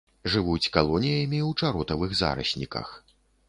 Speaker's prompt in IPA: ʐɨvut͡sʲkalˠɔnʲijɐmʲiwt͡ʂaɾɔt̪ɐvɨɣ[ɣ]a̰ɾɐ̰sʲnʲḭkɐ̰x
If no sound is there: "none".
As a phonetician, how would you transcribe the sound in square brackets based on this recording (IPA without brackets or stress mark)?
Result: z